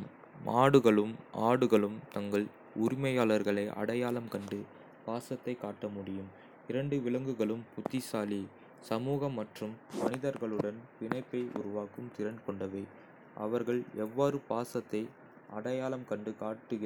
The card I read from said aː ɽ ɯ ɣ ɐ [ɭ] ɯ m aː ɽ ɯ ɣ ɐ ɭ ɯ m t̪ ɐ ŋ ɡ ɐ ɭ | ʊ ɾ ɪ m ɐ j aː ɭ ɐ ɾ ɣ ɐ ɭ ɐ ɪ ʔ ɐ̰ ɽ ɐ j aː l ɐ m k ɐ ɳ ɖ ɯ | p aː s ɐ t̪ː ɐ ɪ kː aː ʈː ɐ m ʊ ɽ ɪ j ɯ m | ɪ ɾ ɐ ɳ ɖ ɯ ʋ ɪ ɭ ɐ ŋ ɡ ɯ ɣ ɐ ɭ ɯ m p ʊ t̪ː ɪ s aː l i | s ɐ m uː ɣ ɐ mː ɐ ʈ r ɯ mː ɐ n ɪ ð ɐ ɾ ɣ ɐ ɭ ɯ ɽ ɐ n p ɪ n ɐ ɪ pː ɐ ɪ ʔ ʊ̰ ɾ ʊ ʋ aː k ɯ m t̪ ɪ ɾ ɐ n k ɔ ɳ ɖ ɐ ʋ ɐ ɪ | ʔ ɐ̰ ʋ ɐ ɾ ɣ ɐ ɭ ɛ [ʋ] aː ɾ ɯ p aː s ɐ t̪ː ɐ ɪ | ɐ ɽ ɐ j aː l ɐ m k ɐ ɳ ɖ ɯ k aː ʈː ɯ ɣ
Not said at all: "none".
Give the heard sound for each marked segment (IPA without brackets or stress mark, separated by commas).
ɭ, ʋː